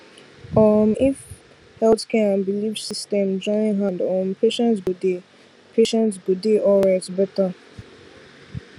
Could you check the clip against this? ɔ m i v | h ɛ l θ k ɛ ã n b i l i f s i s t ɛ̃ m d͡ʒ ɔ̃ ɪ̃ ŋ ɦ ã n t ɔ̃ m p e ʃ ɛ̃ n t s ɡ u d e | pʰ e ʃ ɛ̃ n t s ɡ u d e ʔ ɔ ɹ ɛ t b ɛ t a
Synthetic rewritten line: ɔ m i f | h ɛ l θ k ɛ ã n b i l i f s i s t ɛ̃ m d͡ʒ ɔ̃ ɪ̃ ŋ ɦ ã n d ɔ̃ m p e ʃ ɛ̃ n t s ɡ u d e | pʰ e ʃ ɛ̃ n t s ɡ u d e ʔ ɔ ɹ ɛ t b ɛ t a